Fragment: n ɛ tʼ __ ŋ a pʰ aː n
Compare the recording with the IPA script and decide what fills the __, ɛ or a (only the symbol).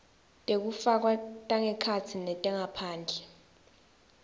ɛ